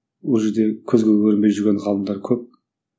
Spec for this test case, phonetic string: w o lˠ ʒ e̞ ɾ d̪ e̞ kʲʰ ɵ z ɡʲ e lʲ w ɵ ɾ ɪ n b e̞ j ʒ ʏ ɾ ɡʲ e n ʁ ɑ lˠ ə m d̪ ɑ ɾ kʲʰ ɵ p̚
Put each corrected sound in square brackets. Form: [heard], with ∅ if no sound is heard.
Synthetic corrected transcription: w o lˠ ʒ e̞ ɾ d̪ e̞ kʲʰ ɵ z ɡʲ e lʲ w ɵ ɾ ɪ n b e̞ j ʒ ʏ ɾ ɡʲ e n ʁ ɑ lˠ ə m d̪ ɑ ɾ kʲʰ ɵ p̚